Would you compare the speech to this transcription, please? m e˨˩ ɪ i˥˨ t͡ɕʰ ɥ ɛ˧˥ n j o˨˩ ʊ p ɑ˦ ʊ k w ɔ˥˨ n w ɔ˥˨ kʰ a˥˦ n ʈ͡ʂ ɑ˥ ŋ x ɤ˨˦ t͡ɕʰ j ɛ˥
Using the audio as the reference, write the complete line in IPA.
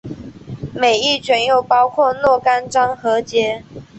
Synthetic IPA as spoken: m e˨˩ ɪ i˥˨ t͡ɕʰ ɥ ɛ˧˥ n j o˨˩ ʊ p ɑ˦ ʊ kʰ w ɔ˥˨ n w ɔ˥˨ k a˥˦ n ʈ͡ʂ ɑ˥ ŋ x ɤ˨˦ t͡ɕ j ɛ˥